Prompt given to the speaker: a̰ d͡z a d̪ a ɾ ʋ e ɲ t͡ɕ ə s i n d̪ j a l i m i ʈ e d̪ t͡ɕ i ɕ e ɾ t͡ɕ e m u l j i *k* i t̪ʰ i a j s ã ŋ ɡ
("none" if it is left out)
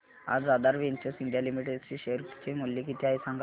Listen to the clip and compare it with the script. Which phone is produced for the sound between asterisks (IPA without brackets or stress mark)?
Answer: k